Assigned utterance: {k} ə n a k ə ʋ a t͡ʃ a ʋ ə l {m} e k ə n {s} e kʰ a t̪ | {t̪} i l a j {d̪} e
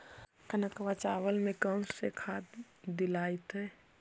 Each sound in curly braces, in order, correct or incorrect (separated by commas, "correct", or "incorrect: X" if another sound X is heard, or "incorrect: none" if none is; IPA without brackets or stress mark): correct, correct, correct, incorrect: d̪, incorrect: t̪